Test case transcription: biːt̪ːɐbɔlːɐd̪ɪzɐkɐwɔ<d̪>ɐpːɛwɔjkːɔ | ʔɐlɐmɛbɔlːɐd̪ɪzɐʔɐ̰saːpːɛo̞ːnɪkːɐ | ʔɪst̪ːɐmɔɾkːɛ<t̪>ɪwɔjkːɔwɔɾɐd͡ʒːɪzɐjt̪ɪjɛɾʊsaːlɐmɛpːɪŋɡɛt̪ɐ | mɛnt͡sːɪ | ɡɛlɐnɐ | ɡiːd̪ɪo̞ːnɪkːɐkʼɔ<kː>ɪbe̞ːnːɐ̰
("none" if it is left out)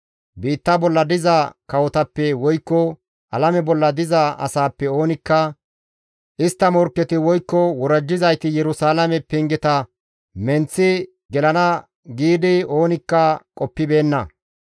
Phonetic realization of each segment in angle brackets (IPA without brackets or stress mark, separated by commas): t̪, t̪, pː